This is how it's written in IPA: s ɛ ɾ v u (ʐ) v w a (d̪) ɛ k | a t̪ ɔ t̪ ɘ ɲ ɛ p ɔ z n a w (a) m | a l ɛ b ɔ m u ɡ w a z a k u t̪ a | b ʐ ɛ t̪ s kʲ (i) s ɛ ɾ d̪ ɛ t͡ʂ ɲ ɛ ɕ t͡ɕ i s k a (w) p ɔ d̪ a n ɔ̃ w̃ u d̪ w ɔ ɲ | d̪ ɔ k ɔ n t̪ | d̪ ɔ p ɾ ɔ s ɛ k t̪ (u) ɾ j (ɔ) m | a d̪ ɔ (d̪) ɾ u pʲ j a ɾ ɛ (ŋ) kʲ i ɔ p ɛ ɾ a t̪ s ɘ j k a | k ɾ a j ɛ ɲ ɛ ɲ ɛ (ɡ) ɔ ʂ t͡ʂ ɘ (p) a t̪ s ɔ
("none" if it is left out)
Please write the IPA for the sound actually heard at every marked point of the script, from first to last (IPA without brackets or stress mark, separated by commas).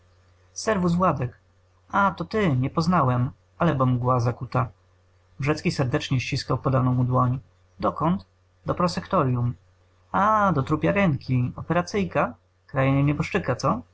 z, d̪, ɛ, i, w, ɔ, u, t̪, ŋ, b, k